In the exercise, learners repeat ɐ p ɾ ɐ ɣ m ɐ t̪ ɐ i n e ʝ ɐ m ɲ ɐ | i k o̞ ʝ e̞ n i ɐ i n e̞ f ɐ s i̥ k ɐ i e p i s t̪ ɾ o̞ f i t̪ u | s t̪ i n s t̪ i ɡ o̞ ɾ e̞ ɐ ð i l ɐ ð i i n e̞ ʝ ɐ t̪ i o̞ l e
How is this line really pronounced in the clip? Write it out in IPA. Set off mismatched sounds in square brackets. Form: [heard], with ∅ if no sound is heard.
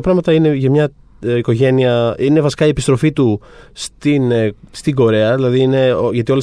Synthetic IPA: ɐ p ɾ ɐ ɣ m ɐ t̪ ɐ i n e ʝ ɐ m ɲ ɐ | i k o̞ ʝ e̞ n i ɐ i n e̞ [v] ɐ s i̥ k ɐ i e p i s t̪ ɾ o̞ f i t̪ u | s t̪ i n s t̪ i ɡ o̞ ɾ e̞ ɐ ð i l ɐ ð i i n e̞ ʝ ɐ t̪ i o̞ l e